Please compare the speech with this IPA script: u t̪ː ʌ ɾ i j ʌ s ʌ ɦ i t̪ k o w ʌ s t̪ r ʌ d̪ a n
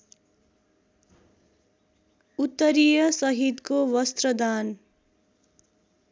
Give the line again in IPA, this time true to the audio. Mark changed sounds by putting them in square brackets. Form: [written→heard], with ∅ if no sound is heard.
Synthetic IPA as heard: u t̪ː ʌ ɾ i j ʌ s ʌ ɦ i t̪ k o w ʌ s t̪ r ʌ d̪ a n